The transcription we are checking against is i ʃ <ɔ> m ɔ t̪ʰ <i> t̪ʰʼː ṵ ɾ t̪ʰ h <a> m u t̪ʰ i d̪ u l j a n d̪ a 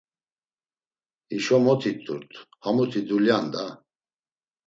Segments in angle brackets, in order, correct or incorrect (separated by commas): correct, correct, correct